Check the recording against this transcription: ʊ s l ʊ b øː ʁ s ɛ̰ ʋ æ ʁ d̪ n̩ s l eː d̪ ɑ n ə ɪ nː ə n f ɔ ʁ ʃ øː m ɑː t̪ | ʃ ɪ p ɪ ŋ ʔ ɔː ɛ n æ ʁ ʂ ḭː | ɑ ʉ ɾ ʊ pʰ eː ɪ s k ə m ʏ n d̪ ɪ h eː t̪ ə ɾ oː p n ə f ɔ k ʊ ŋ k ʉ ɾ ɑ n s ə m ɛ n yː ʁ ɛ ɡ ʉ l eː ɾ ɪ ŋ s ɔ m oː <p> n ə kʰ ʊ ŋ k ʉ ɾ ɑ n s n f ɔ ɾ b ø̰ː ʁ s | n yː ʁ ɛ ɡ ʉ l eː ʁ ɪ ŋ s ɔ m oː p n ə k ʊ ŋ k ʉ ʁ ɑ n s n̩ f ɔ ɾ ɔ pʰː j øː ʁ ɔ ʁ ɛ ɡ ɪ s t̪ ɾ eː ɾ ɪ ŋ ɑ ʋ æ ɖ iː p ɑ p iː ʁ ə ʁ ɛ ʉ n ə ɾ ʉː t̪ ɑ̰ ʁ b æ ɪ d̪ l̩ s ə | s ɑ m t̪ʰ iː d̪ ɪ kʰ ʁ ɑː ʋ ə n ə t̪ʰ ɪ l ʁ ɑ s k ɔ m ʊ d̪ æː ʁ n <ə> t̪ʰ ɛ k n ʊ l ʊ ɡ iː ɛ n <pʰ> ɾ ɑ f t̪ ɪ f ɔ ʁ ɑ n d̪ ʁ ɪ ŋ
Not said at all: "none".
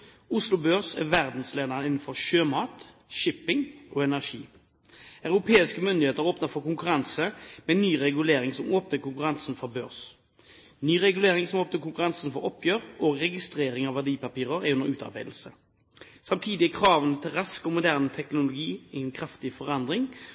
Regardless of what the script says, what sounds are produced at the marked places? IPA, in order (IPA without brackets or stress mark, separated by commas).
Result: p, ə, kʰ